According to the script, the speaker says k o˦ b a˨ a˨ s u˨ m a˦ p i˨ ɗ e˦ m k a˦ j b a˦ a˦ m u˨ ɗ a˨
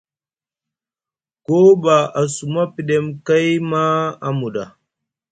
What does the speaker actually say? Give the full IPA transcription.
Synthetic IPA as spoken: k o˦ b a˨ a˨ s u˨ m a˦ p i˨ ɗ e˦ m k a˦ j m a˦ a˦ m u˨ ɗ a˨

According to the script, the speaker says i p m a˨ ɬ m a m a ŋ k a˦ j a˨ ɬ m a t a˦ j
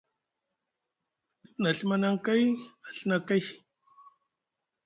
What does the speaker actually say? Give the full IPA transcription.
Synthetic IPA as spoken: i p n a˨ ɬ m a n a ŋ k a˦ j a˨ ɬ n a k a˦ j

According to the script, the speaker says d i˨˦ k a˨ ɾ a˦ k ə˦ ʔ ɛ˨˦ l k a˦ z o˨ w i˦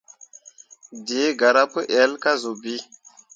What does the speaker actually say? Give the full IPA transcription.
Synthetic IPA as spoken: d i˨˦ ɡ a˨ ɾ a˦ p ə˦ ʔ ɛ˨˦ l k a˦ z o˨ b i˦

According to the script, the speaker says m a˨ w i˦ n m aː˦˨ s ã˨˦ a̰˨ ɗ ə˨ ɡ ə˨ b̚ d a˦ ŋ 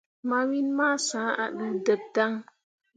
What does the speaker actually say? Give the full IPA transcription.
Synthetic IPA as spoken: m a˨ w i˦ n m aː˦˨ s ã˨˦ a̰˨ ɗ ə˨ d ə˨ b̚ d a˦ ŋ

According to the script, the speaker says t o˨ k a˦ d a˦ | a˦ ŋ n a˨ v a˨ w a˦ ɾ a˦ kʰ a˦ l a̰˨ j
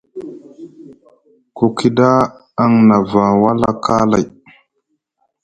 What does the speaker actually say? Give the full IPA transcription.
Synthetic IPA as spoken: k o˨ k i˦ d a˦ | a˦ ŋ n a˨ v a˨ w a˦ l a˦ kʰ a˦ l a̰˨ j

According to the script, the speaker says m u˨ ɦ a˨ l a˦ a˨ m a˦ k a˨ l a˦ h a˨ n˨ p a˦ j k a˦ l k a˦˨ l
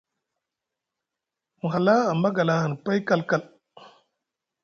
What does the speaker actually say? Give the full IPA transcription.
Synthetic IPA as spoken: m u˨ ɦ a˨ l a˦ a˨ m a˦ ɡ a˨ l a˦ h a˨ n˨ p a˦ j k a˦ l k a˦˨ l

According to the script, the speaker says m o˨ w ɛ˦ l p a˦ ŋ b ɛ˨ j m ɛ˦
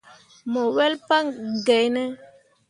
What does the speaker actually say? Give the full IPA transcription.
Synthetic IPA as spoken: m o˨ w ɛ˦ l p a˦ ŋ ɡ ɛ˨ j n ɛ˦

